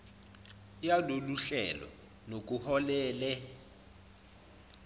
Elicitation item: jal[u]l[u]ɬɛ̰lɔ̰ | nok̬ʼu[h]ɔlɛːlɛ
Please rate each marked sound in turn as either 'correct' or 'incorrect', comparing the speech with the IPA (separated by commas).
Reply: incorrect, correct, correct